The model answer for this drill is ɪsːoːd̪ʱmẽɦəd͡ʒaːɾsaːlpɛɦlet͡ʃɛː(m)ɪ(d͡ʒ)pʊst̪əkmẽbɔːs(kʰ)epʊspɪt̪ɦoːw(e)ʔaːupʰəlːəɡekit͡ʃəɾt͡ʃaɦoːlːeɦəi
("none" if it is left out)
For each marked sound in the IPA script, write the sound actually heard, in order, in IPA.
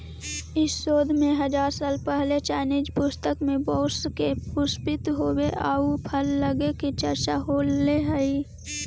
n, d͡ʒ, k, e

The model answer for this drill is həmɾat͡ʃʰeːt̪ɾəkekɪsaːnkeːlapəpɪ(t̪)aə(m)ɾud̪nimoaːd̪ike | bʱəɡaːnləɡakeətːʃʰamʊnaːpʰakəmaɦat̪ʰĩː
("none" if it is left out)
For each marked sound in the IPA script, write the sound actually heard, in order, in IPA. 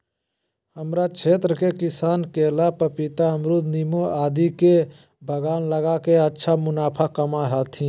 t̪, m

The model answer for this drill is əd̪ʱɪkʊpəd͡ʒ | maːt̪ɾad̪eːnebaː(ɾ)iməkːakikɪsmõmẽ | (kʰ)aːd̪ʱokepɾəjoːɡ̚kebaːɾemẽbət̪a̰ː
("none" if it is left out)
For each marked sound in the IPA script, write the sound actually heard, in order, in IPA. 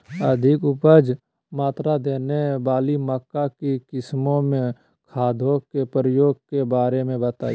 l, kʰ

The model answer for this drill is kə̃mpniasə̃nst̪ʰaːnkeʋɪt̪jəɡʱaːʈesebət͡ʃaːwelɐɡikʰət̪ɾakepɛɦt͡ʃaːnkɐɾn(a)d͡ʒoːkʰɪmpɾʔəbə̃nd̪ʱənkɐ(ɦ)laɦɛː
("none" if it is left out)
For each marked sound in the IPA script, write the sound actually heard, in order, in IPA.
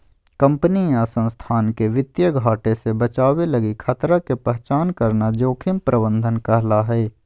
a, ɦ

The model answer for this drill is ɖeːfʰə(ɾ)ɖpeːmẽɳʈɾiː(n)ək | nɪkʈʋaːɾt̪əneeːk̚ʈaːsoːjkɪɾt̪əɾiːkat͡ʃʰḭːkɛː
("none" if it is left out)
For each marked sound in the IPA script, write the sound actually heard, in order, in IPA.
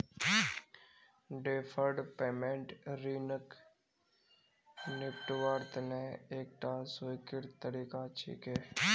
ɾ, n

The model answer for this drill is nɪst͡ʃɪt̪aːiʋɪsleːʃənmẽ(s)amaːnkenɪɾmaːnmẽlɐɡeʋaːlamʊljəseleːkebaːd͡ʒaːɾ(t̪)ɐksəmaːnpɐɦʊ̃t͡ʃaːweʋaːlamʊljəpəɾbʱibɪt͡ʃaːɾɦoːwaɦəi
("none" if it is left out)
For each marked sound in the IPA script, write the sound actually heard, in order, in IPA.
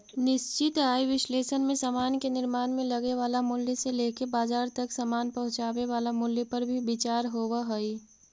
s, t̪

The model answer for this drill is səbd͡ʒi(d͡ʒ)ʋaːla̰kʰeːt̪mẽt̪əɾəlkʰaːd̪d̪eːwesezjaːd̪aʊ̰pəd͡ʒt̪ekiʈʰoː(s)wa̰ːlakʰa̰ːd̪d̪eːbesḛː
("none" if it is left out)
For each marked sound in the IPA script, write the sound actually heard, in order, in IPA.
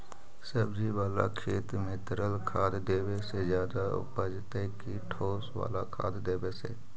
none, s

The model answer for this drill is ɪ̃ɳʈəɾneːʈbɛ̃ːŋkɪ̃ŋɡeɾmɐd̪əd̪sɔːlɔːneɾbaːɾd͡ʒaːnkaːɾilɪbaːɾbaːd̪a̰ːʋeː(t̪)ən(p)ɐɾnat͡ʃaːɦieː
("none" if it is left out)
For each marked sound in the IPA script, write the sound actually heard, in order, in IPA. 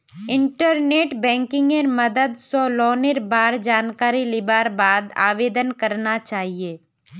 d̪, k

